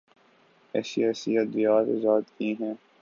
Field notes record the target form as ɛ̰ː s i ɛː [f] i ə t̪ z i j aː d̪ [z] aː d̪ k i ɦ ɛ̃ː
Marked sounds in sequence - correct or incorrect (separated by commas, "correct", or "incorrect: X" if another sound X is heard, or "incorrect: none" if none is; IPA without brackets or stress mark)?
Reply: incorrect: s, correct